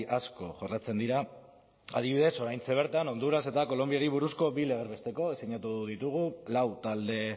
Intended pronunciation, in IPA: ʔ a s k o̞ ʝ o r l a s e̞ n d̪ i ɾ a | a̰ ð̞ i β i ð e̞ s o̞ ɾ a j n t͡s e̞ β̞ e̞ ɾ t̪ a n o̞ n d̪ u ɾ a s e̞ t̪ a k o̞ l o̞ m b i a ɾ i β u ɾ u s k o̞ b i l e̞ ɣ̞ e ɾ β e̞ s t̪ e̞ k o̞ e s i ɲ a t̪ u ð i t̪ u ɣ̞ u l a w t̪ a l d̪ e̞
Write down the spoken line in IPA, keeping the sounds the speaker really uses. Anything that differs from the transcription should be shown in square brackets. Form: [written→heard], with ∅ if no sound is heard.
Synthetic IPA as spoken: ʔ a s k o̞ ʝ o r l a [s→t͡s] e̞ n d̪ i ɾ a | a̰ ð̞ i β i ð e̞ s o̞ ɾ a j n t͡s e̞ β̞ e̞ ɾ t̪ a n o̞ n d̪ u ɾ a s e̞ t̪ a k o̞ l o̞ m b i a ɾ i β u ɾ u s k o̞ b i l e̞ ɣ̞ e ɾ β e̞ s t̪ e̞ k o̞ e s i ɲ a t̪ u ð i t̪ u ɣ̞ u l a w t̪ a l d̪ e̞